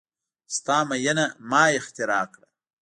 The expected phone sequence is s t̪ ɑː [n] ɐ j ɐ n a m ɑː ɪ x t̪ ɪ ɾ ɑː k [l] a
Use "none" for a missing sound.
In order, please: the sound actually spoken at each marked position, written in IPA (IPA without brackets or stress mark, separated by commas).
m, ɽ